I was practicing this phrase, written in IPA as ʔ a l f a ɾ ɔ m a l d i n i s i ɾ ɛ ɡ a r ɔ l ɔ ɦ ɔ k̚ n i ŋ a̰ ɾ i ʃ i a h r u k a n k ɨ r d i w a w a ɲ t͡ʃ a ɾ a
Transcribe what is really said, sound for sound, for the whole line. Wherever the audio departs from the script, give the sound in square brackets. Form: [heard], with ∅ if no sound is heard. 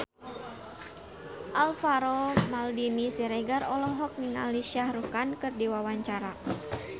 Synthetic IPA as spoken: ʔ a l f a ɾ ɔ m a l d i n i s i ɾ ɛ ɡ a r ɔ l ɔ ɦ ɔ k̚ n i ŋ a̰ [l] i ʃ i a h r u k a n k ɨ r d i w a w a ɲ t͡ʃ a ɾ a